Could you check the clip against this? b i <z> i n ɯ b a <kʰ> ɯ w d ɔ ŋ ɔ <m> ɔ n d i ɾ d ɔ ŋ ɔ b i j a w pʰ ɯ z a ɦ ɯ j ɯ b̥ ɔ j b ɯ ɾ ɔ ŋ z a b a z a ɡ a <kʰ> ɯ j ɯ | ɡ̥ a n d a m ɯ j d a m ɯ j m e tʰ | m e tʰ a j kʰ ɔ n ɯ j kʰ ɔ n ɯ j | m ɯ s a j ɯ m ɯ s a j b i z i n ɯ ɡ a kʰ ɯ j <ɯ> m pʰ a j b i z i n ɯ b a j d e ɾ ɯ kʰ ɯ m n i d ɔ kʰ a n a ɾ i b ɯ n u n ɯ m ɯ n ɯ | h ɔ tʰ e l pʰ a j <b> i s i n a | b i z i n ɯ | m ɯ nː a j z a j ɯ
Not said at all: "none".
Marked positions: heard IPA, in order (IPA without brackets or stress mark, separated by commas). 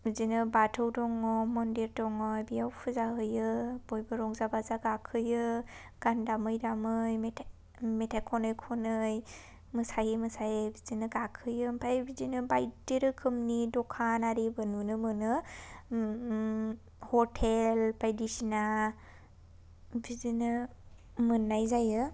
z, tʰ, m, kʰ, ɯ, d